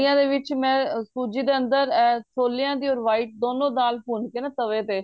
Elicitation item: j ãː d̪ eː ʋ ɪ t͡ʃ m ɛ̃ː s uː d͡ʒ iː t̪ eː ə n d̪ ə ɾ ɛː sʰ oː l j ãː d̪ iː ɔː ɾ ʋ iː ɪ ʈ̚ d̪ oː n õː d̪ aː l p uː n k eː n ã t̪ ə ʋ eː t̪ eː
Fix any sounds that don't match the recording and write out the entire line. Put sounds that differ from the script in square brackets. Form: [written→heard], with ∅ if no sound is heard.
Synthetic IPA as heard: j ãː d̪ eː ʋ ɪ t͡ʃ m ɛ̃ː s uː d͡ʒ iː [t̪→d̪] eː ə n d̪ ə ɾ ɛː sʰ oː l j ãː d̪ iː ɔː ɾ ʋ [iː→aː] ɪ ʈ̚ d̪ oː n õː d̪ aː l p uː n k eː n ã t̪ ə ʋ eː t̪ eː